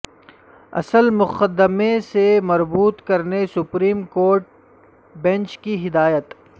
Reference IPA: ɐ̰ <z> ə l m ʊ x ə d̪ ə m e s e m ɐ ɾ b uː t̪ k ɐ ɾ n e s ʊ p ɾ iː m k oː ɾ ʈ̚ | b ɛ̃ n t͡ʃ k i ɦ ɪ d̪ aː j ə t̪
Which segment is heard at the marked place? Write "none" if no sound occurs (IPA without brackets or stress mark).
s